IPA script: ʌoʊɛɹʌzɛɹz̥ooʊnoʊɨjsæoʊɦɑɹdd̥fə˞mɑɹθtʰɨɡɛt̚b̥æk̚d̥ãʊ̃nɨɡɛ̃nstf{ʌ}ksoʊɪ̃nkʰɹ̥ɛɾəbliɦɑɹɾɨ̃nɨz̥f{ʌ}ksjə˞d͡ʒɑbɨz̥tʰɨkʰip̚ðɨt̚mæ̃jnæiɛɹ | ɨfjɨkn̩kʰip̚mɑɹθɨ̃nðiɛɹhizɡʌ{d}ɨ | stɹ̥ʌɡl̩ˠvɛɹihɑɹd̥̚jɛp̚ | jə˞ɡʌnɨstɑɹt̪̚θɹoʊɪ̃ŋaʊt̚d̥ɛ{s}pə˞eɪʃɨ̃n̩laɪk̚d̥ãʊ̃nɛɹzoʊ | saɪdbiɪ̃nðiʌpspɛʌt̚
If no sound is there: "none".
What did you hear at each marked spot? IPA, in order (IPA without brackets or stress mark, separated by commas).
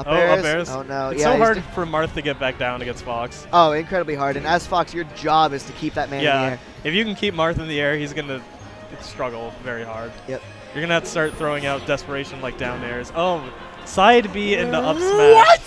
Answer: ɑ, ɑ, n, s